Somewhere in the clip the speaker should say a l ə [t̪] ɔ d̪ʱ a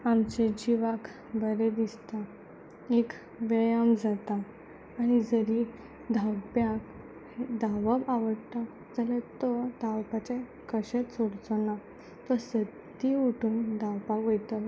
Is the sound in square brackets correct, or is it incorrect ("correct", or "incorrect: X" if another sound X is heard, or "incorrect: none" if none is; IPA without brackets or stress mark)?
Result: correct